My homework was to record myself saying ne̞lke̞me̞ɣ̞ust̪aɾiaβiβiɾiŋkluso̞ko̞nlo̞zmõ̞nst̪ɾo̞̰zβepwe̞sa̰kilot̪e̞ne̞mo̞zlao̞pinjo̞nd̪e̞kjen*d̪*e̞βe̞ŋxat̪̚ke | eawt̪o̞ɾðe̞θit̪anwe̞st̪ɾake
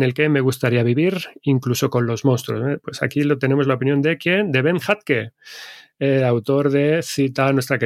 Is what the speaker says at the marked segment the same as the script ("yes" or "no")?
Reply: yes